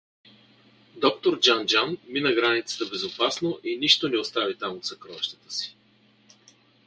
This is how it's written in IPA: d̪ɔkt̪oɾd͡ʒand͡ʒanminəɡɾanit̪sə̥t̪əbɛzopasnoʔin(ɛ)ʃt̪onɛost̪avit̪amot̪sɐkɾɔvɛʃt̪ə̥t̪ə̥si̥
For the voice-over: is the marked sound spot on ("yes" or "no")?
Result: no